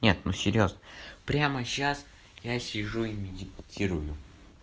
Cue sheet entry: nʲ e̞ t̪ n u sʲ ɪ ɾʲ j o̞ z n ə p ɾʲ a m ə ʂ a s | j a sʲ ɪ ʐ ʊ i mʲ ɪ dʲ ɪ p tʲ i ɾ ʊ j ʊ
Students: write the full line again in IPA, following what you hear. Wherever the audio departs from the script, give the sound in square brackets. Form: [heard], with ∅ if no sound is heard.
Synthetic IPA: nʲ e̞ t̪ n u sʲ ɪ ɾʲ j o̞ z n ə p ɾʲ a m ə [ɕ] a s | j a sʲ ɪ ʐ [u] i mʲ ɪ dʲ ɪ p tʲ i ɾ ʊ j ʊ

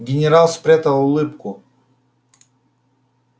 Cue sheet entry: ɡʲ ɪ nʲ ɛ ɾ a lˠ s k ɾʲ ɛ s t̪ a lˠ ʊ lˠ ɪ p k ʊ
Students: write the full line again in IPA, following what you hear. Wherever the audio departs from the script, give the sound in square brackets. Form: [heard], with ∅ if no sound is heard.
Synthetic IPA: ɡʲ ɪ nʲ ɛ ɾ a lˠ s [p] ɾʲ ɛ [∅] t̪ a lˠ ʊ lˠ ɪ p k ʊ

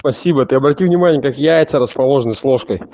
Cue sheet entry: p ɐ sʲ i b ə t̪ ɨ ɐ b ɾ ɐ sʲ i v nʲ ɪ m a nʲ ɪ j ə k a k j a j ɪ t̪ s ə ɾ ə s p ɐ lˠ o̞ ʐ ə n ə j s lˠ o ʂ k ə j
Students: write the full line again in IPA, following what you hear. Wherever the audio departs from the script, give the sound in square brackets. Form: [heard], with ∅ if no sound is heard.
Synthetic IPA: p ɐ sʲ i b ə t̪ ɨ ɐ b ɾ ɐ [tʲ] i v nʲ ɪ m a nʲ ɪ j ə k a k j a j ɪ t̪ s ə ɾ ə s p ɐ lˠ o̞ ʐ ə n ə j s lˠ o ʂ k ə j

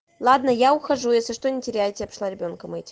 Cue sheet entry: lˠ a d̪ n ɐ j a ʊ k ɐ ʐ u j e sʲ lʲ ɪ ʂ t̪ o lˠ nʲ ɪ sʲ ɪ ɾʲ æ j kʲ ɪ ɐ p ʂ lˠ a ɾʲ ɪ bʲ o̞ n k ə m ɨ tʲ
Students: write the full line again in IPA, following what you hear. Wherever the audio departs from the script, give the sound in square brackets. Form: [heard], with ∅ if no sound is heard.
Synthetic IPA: lˠ a d̪ n [ə] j a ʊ [x] ɐ ʐ u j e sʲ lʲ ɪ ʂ t̪ o [∅] nʲ ɪ [tʲ] ɪ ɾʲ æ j [tʲ] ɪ ɐ p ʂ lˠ a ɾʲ ɪ bʲ o̞ n k ə m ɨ tʲ

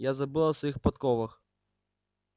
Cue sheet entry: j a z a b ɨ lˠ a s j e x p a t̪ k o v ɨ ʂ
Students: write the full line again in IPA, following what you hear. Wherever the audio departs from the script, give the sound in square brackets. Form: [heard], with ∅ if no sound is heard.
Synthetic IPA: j a z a b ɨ lˠ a s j [i] x p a t̪ k [ɔ] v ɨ [x]

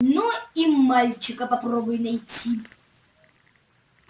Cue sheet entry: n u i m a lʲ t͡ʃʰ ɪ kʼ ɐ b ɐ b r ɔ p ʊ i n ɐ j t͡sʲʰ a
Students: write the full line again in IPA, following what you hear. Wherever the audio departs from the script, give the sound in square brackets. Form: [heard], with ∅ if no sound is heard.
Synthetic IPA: n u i m a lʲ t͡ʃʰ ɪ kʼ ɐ [p] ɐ [p] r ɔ [b] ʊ [j] n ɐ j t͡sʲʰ [i]

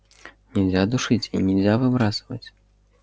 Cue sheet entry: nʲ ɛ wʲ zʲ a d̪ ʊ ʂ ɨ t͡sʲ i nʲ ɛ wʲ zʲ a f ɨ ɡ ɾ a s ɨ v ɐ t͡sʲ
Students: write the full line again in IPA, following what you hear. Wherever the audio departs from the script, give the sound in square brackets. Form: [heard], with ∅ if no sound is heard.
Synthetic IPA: nʲ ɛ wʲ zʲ a d̪ [u] ʂ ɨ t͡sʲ i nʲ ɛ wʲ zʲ a [v] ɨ [b] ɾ a s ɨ v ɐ t͡sʲ

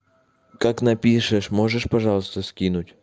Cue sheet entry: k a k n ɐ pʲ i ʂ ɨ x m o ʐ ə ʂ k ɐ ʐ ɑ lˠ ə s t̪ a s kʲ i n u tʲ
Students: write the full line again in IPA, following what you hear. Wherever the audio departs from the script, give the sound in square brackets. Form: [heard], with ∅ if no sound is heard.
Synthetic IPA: k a k n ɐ pʲ i ʂ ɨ [ʂ] m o ʐ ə ʂ [p] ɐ ʐ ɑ lˠ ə s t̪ [ə] s kʲ i n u tʲ

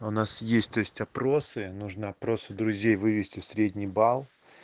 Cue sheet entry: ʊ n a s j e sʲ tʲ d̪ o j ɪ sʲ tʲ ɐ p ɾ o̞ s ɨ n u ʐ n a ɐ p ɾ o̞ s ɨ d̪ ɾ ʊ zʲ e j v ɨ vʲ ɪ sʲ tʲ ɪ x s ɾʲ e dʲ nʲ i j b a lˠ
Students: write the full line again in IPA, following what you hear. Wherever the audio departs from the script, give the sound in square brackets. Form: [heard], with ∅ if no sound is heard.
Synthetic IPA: ʊ n a s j e sʲ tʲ [t̪] o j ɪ sʲ tʲ ɐ p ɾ o̞ s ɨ n u ʐ n [ə] ɐ p ɾ o̞ s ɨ d̪ ɾ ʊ zʲ e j v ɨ vʲ ɪ sʲ tʲ ɪ [f] s ɾʲ e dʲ nʲ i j b a lˠ

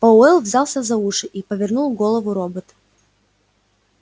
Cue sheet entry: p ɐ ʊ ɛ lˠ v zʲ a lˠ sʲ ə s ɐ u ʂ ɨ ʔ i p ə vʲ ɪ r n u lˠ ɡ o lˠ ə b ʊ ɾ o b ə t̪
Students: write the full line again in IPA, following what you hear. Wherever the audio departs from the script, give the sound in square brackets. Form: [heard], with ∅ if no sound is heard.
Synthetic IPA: p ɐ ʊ ɛ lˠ v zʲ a lˠ sʲ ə [z] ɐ u ʂ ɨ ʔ i p ə vʲ ɪ r n u lˠ ɡ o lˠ ə [v] ʊ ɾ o b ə t̪

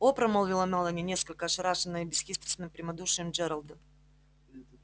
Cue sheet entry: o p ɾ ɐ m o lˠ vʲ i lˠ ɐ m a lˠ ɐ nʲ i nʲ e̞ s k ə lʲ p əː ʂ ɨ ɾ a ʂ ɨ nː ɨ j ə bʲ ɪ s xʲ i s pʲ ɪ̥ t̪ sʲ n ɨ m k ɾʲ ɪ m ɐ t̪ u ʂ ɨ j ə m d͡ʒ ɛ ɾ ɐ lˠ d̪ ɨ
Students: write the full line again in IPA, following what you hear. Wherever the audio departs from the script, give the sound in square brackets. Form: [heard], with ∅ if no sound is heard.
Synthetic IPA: o p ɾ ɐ m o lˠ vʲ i lˠ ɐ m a lˠ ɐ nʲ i nʲ e̞ s k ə lʲ [k] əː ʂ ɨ ɾ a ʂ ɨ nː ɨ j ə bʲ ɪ s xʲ i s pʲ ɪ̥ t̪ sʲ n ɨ m [p] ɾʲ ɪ m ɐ [d̪] u ʂ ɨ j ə m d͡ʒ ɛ ɾ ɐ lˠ d̪ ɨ

